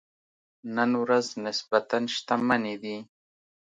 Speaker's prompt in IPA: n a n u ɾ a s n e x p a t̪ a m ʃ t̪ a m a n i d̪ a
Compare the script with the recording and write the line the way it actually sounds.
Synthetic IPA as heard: n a n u ɾ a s n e s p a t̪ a n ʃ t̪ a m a n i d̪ i